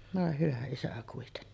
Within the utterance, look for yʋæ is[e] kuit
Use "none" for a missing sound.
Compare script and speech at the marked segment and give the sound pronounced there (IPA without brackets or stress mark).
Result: æ